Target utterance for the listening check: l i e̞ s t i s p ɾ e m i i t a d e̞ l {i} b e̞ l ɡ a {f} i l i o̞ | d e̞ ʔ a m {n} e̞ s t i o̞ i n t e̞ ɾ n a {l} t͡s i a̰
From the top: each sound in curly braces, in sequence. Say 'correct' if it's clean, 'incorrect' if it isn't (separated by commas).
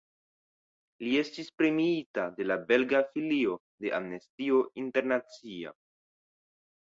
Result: incorrect, correct, correct, incorrect